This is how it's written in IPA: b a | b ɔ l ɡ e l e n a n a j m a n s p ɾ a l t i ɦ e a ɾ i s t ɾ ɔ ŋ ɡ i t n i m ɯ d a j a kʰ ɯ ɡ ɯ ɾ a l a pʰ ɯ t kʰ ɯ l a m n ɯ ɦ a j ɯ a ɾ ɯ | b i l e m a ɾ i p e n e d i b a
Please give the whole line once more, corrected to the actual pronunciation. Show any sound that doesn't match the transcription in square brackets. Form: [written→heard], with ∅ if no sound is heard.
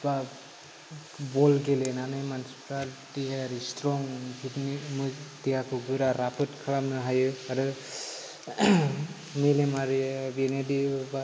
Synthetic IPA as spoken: b a | b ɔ l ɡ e l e n a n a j m a n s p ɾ a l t i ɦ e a ɾ i s t ɾ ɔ ŋ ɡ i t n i m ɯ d [a→i] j a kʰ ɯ ɡ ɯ ɾ a [l→ɾ] a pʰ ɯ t kʰ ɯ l a m n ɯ ɦ a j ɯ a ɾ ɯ | [b→m] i l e m a ɾ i [p→b] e n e d i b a

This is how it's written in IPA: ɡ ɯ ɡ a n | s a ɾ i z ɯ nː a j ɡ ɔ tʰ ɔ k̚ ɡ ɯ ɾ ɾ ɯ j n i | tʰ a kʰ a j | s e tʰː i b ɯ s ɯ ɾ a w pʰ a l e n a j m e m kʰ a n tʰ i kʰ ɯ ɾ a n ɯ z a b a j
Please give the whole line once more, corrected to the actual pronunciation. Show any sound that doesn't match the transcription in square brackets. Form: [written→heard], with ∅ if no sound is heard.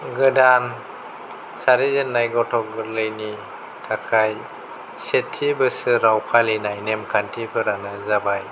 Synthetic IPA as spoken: ɡ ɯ [ɡ→d] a n | s a ɾ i z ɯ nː a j ɡ ɔ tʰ ɔ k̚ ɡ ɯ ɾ [ɾ→l] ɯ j n i | tʰ a kʰ a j | s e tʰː i b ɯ s ɯ ɾ a w pʰ a l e n a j [m→n] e m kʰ a n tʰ i [kʰ→pʰ] ɯ ɾ a n ɯ z a b a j

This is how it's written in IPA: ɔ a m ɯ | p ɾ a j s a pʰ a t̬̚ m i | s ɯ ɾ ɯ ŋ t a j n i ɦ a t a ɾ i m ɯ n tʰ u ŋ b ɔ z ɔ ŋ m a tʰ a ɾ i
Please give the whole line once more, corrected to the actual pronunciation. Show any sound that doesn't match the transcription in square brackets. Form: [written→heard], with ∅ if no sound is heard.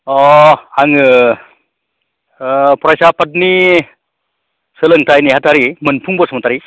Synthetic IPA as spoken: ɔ a [m→ŋ] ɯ | p ɾ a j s a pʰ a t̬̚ [m→n] i | s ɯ [ɾ→l] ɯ ŋ t a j n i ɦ a t a ɾ i m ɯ n [tʰ→pʰ] u ŋ b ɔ [z→s] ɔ [ŋ→∅] m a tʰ a ɾ i

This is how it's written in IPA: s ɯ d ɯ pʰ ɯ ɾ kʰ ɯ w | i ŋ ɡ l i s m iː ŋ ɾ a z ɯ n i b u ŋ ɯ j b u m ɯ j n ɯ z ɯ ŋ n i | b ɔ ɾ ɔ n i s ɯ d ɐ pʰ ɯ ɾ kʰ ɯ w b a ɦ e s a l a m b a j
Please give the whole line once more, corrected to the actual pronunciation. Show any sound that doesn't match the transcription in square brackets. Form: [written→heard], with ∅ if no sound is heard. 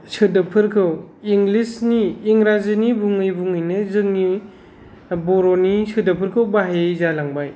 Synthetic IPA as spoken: s ɯ d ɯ pʰ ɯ ɾ kʰ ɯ w | i ŋ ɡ l i s [m→n] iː ŋ ɾ a z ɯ n i b u ŋ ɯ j b u [m→ŋ] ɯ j n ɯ z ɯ ŋ n i | b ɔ ɾ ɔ n i s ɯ d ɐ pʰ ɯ ɾ kʰ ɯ w b a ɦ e [s→z] a l a [m→ŋ] b a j

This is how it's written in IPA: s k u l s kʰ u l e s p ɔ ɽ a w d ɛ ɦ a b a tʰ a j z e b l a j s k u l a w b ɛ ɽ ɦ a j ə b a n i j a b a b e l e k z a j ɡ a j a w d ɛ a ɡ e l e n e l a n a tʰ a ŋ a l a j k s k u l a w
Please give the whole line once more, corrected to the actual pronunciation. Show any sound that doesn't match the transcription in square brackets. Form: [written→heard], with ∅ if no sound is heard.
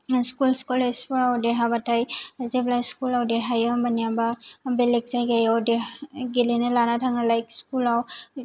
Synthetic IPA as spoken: s k u l s [kʰ→k] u l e s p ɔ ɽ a w d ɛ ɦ a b a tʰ a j z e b l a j s k u l a w [b→d] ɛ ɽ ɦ a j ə b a n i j a b a b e l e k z a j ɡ a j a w d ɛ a ɡ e l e n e l a n a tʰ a ŋ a l a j k s k u l a w

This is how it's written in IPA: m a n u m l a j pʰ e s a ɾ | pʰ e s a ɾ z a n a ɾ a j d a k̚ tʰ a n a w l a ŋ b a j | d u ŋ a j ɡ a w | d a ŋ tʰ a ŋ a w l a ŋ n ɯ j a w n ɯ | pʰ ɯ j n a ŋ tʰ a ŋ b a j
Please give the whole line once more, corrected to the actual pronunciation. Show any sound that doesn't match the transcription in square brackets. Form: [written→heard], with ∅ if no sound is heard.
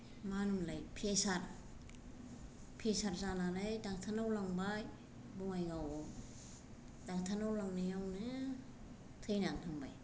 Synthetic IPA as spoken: m a n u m l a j pʰ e s a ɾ | pʰ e s a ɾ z a n a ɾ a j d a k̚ tʰ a n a w l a ŋ b a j | [d→b] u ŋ a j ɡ a w | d a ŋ tʰ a [ŋ→n] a w l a ŋ n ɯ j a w n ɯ | [pʰ→tʰ] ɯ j n a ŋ tʰ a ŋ b a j

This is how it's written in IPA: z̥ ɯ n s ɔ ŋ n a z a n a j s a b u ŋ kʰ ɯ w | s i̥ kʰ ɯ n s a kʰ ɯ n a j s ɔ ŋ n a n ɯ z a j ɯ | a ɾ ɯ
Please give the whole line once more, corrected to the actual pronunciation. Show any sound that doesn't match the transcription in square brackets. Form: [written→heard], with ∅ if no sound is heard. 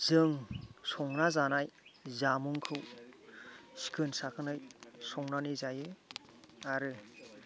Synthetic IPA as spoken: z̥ ɯ [n→ŋ] s ɔ ŋ n a z a n a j [s→z] a [b→m] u ŋ kʰ ɯ w | s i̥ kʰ ɯ n s a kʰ ɯ n a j s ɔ ŋ n a n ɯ z a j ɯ | a ɾ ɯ

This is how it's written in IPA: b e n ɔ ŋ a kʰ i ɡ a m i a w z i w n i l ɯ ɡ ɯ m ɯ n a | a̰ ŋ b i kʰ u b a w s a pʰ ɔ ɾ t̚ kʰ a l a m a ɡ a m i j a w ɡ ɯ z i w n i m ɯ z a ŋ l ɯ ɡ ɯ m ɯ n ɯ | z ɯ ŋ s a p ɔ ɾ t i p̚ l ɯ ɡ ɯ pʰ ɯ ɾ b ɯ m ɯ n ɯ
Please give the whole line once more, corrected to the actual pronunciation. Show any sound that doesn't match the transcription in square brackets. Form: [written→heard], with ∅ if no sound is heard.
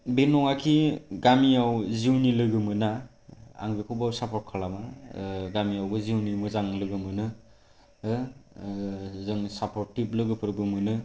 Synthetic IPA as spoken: b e n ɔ ŋ a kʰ i ɡ a m i a w z i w n i l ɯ ɡ ɯ m ɯ n a | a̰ ŋ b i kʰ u b a w s a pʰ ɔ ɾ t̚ kʰ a l a m a ɡ a m i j a w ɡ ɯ z i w n i m ɯ z a ŋ l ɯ ɡ ɯ m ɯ n ɯ | z ɯ ŋ s a p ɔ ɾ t i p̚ l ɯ ɡ ɯ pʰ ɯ ɾ b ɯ m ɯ n ɯ

